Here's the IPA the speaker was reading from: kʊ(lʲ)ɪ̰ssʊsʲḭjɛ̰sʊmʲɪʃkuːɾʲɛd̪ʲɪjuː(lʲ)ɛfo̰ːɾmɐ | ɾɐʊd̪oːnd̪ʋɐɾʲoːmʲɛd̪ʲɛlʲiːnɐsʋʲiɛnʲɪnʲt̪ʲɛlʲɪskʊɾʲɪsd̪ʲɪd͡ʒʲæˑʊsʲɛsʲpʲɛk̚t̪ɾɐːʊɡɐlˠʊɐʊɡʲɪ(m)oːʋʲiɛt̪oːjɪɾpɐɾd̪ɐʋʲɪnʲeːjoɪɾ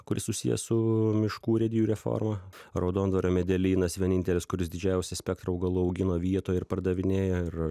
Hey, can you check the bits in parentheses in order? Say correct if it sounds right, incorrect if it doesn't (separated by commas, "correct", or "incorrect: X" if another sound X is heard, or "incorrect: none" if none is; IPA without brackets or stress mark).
incorrect: ɾʲ, incorrect: ɾʲ, incorrect: n